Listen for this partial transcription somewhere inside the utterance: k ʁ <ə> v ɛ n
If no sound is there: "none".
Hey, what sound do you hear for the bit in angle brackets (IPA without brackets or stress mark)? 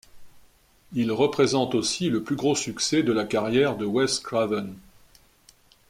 a